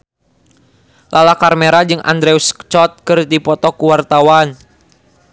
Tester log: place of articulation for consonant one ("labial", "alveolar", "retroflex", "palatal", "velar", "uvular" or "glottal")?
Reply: alveolar